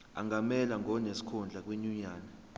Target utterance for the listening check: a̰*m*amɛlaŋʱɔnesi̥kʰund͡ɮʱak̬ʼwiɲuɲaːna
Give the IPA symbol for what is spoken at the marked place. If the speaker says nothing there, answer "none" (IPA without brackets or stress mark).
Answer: ŋ